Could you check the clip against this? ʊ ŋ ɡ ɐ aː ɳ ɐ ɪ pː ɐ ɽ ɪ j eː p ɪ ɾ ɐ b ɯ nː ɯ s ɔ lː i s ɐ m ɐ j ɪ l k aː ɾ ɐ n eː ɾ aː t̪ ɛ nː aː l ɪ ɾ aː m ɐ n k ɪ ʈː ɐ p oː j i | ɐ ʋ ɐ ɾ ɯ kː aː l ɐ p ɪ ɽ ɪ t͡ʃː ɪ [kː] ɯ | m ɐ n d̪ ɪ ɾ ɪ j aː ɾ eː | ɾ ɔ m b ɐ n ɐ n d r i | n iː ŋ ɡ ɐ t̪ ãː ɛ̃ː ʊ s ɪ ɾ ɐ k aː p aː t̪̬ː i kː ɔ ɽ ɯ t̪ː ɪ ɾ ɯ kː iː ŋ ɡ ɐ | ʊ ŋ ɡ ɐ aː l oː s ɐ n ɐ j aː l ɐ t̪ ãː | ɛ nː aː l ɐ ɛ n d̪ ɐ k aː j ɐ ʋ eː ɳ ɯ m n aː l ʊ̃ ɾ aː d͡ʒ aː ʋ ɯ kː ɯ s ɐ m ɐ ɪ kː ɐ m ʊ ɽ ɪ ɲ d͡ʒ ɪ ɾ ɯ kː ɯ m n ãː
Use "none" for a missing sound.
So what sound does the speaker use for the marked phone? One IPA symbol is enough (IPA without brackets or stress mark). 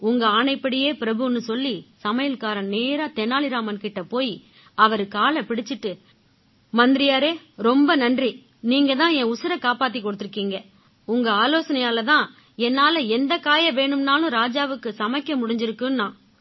ʈː